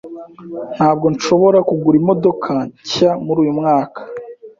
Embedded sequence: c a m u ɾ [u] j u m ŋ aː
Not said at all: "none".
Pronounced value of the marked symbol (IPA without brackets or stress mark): uː